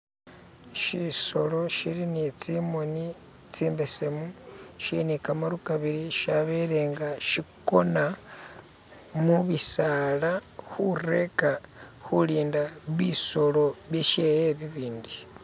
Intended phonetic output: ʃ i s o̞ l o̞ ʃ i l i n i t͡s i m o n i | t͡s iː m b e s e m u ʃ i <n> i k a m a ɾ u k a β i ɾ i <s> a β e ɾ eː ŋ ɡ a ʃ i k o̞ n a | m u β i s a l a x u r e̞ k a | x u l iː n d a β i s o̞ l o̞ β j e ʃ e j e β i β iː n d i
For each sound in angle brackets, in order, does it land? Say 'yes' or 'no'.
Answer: yes, no

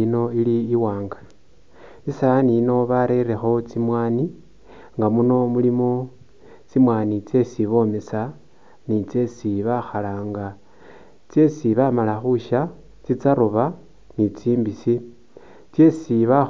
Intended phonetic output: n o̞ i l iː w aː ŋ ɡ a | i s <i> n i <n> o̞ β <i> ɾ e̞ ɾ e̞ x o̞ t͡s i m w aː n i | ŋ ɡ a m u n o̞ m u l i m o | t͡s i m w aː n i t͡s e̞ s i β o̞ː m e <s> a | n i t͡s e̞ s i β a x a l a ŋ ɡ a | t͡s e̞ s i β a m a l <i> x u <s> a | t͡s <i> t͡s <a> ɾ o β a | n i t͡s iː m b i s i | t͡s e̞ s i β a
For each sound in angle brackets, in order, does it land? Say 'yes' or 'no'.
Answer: no, yes, no, yes, no, no, yes, yes

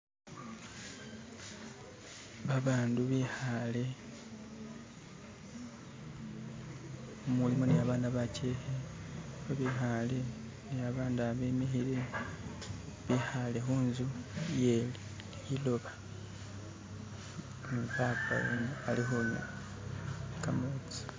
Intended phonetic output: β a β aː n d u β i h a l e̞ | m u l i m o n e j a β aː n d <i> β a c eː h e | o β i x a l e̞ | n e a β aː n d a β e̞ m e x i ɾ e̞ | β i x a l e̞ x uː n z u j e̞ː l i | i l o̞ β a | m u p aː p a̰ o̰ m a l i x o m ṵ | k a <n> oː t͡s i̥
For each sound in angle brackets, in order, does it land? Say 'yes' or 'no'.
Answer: no, no

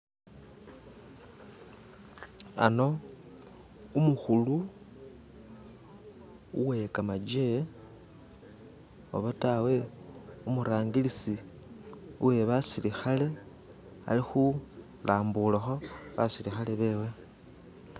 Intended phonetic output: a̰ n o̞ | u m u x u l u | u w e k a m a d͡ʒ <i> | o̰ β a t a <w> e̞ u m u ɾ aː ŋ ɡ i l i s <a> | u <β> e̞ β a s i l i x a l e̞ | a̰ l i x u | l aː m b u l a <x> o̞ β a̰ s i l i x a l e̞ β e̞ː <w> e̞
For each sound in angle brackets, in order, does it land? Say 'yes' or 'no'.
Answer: no, yes, no, no, yes, yes

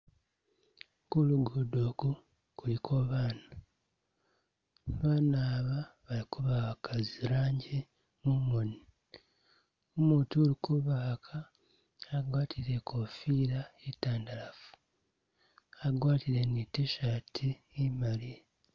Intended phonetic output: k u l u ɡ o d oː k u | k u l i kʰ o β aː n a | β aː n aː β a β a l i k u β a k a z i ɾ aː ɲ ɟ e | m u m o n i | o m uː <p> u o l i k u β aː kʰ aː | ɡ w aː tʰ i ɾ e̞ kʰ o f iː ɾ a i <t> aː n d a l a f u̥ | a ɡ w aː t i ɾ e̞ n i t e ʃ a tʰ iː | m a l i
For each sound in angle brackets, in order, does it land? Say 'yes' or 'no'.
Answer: no, yes

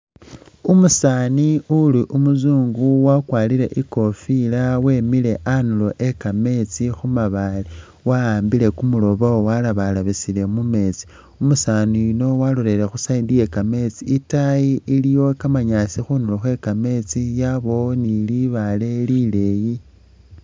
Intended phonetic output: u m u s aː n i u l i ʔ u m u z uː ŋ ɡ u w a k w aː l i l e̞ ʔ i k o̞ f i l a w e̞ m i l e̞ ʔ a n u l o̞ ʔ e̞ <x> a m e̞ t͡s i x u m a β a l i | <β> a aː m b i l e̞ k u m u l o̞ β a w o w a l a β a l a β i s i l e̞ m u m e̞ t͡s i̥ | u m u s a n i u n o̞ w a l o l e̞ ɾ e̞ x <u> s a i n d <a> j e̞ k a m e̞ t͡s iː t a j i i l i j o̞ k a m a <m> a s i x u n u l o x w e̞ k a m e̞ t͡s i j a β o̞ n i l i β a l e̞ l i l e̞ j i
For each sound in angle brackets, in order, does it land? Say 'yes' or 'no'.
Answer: no, no, yes, no, no

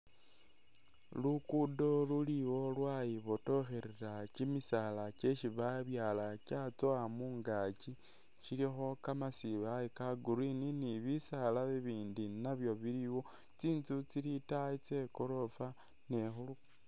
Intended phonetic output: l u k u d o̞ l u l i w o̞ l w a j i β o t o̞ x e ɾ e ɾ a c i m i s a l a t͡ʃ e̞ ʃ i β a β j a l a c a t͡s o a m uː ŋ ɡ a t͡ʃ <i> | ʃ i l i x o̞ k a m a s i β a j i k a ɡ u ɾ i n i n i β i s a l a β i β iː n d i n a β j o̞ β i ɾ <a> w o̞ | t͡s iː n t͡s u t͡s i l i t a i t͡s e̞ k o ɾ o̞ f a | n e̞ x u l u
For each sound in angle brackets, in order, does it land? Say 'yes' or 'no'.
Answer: yes, no

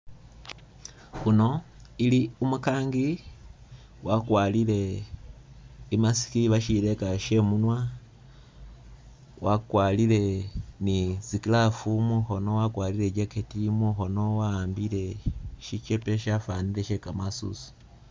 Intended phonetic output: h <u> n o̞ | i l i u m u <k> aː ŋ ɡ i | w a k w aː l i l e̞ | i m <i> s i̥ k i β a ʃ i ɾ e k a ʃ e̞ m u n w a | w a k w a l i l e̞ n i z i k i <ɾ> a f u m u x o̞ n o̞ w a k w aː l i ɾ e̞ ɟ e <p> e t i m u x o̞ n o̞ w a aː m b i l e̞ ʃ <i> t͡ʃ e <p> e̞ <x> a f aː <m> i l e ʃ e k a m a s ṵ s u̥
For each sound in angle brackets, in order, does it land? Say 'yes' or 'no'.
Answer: yes, yes, no, no, no, yes, yes, no, no

